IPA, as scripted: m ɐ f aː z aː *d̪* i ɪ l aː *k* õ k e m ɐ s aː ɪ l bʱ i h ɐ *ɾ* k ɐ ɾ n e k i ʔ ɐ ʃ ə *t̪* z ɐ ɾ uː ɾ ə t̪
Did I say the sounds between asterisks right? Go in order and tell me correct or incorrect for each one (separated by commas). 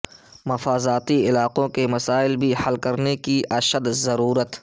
incorrect, incorrect, incorrect, incorrect